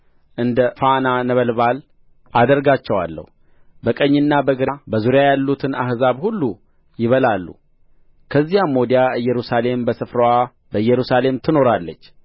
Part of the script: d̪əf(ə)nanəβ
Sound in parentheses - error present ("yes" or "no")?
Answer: yes